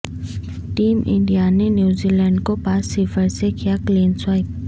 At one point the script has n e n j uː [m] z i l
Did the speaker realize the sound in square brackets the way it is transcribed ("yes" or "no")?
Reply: no